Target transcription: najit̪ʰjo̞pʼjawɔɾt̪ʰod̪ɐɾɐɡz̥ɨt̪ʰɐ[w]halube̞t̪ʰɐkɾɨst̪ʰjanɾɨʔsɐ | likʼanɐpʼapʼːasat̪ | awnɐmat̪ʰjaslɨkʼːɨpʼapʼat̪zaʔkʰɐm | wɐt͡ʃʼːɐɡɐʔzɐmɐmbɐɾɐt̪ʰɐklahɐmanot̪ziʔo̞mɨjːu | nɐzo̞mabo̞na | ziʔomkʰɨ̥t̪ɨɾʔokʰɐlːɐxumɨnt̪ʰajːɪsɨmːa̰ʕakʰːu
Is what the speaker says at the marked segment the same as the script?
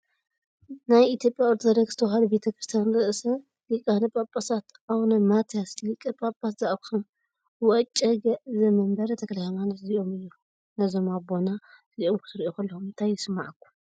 yes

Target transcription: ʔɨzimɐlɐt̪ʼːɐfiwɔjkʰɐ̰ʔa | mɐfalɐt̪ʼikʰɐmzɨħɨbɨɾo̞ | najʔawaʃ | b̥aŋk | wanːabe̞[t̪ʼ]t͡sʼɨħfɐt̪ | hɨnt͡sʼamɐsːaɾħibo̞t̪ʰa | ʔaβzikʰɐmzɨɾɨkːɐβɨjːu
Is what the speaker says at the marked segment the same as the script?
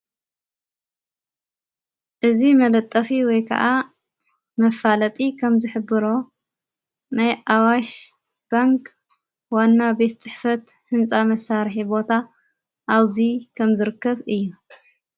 no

